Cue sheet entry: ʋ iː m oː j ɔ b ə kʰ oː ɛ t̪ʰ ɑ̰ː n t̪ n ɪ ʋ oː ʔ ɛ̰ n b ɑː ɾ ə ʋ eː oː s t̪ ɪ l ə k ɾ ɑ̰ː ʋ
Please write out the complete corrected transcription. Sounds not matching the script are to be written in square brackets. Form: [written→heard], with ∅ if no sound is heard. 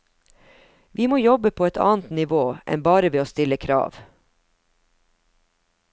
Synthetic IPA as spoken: ʋ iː m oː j ɔ b ə [kʰ→pʰ] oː ɛ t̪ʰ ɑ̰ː n t̪ n ɪ ʋ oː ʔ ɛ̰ n b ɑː ɾ ə ʋ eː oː s t̪ ɪ l ə [k→kʰ] ɾ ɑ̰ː ʋ